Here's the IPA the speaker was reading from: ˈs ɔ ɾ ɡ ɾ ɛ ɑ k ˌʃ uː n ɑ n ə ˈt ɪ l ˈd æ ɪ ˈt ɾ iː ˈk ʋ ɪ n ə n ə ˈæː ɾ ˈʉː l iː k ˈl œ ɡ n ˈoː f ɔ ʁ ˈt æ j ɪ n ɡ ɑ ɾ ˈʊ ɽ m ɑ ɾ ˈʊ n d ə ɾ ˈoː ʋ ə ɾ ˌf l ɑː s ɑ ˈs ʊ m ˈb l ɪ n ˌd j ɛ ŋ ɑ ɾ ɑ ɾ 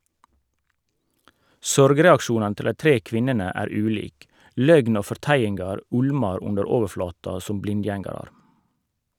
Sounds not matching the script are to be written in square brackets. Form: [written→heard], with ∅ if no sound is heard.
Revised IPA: ˈs ɔ ɾ ɡ ɾ ɛ ɑ k ˌʃ uː n ɑ n ə ˈt ɪ l ˈd æ ɪ ˈt ɾ iː ˈk ʋ ɪ n ə n ə ˈæː ɾ ˈʉː l iː k ˈl œ ɡ n ˈoː f ɔ ʁ ˈt æ j ɪ n ɡ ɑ ɾ ˈʊ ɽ m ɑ ɾ ˈʊ n d ə ɾ ˈoː ʋ ə ɾ ˌf l ɑː [s→t] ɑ ˈs ʊ m ˈb l ɪ n ˌd j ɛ ŋ ɑ ɾ ɑ ɾ